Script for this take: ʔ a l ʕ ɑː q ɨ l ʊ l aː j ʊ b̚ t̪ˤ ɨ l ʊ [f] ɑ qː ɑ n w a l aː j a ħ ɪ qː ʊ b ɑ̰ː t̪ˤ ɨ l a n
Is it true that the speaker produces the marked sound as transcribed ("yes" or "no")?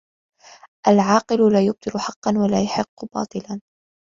no